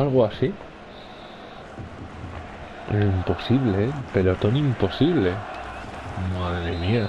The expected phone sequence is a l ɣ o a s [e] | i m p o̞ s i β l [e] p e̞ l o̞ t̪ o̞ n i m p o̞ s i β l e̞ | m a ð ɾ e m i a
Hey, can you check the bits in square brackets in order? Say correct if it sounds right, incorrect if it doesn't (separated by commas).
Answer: incorrect, correct